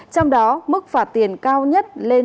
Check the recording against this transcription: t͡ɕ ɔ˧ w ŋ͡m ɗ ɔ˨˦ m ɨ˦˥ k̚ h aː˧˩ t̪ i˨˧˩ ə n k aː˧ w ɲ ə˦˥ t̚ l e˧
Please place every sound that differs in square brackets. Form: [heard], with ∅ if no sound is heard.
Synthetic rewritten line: t͡ɕ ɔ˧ w ŋ͡m ɗ ɔ˨˦ m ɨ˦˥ k̚ [f] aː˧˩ t̪ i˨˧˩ ə n k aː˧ w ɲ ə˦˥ t̚ l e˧